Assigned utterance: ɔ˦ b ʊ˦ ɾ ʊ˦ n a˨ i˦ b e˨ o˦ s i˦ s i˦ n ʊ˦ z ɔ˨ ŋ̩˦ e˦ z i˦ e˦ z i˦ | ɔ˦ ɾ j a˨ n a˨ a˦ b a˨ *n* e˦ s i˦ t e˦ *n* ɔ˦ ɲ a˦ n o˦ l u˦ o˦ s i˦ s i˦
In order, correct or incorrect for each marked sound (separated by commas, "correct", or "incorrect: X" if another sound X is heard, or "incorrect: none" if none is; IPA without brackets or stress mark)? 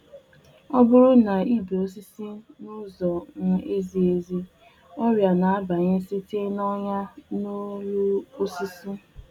incorrect: ɲ, correct